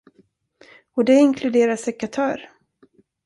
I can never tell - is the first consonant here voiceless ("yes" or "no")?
no